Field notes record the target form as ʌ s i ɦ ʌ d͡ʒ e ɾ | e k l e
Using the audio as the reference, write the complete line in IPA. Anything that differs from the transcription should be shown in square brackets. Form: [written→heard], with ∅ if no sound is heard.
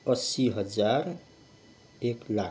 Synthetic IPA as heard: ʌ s i ɦ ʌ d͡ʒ [e→a] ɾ | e k l [e→a]